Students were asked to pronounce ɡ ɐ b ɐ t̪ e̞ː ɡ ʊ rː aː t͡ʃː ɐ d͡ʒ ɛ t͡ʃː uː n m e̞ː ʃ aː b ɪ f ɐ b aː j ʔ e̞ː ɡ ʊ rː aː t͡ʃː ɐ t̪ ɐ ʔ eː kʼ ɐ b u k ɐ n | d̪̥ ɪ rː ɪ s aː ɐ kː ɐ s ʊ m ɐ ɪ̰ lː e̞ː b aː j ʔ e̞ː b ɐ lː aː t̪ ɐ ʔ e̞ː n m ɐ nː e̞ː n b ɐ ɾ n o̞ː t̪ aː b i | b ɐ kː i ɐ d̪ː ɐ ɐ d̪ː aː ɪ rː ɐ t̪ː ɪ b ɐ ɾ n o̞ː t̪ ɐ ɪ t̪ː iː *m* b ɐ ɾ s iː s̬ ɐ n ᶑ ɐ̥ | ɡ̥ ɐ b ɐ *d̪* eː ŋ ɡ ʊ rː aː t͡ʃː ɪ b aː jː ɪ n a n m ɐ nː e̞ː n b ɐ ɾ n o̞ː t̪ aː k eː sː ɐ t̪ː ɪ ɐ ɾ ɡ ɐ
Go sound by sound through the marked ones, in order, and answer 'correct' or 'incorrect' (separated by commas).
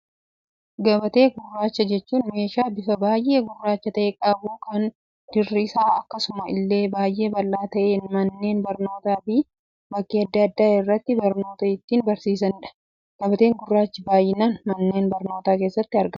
incorrect, incorrect